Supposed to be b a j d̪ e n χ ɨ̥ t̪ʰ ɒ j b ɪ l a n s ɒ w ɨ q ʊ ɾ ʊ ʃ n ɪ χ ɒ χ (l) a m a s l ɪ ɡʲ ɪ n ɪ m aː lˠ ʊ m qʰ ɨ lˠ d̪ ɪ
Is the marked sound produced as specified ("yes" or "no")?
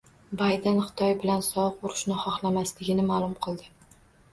yes